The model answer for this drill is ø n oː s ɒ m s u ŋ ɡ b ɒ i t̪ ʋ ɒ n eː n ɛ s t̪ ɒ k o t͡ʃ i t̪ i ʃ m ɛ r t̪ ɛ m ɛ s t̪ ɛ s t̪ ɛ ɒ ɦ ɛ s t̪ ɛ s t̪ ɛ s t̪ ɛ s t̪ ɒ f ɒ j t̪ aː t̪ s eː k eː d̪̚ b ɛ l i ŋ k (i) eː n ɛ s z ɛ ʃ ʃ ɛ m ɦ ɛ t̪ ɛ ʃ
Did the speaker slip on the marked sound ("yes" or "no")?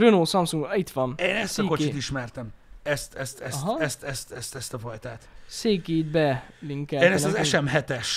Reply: yes